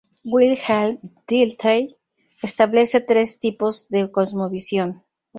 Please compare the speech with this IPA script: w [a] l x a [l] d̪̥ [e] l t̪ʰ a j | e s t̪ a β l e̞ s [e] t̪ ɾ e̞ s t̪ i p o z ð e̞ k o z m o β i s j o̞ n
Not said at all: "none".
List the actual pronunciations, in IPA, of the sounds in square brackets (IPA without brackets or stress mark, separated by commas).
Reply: i, l, i, e